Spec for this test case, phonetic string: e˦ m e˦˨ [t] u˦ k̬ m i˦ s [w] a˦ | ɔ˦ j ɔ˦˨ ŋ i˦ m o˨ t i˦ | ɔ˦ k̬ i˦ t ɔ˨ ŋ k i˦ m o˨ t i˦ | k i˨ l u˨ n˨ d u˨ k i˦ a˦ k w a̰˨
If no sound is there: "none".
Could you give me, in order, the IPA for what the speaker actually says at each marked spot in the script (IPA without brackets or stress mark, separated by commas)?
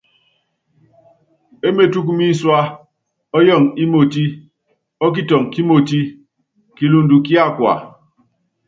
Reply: t, w